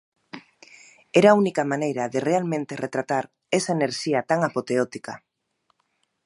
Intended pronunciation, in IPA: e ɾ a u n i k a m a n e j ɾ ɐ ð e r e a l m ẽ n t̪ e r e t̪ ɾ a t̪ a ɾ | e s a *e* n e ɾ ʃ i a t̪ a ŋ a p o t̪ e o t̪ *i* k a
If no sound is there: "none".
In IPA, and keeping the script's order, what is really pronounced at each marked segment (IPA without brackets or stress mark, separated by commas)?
e, i